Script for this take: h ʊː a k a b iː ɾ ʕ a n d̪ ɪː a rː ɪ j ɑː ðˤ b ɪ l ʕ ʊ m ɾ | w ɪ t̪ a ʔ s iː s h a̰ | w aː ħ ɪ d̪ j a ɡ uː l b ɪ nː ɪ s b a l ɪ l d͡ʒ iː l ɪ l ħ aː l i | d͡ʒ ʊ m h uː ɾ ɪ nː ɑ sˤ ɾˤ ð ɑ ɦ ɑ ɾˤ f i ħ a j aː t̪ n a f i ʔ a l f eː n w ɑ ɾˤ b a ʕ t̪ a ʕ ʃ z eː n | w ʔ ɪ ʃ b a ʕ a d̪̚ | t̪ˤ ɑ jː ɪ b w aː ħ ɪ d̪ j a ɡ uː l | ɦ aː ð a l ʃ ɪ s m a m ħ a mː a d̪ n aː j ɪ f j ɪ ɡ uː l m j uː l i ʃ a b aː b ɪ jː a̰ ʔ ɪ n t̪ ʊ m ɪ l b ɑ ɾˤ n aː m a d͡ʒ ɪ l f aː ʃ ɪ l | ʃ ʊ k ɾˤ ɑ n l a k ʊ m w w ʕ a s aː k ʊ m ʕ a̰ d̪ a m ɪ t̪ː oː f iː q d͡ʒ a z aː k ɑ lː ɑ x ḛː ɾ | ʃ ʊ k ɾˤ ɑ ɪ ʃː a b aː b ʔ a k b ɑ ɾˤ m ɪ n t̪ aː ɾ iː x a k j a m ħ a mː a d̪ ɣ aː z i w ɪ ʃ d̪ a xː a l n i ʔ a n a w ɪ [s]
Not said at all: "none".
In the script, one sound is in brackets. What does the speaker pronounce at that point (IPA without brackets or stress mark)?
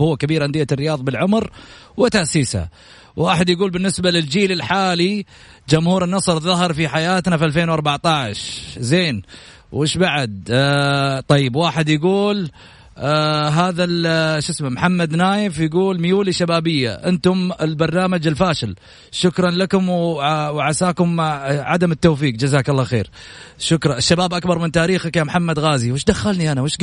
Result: ʃ